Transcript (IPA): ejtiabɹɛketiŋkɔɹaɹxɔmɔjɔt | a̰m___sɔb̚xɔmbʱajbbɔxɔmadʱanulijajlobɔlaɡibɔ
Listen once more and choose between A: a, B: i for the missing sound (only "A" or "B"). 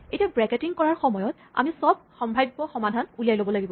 B